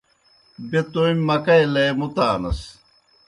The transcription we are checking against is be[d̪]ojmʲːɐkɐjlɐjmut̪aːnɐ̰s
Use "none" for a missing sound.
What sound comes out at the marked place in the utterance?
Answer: t̪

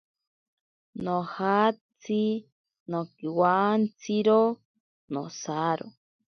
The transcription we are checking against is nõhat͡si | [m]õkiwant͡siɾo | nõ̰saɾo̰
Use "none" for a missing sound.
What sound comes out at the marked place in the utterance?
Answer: n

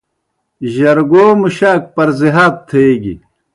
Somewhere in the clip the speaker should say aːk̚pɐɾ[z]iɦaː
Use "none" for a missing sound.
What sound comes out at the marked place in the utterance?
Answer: z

